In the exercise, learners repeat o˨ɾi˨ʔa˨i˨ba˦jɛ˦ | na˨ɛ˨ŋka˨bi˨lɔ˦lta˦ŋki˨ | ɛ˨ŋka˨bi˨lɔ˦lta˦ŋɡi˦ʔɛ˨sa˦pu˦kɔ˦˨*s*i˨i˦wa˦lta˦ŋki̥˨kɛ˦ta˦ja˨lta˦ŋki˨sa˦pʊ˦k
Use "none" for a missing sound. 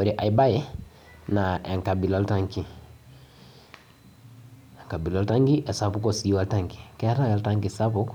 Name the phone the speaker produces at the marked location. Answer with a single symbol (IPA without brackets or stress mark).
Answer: s